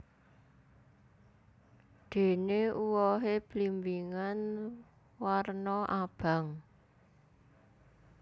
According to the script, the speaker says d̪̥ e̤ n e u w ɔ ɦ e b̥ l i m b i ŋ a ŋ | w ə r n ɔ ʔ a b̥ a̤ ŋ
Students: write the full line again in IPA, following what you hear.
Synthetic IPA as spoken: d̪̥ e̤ n e u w ɔ ɦ e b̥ l i m b i ŋ a n | w a r n ɔ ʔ a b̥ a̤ ŋ